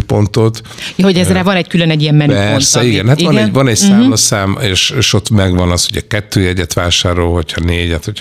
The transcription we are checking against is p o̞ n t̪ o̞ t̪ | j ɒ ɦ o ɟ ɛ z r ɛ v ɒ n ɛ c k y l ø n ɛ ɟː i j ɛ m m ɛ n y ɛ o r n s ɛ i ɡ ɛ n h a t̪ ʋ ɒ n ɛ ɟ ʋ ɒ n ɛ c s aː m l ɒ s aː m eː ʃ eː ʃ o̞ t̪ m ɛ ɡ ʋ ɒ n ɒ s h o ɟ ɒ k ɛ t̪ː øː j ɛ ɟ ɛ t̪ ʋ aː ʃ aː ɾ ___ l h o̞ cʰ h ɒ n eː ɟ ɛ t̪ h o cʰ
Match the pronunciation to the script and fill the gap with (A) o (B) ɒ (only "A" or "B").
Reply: A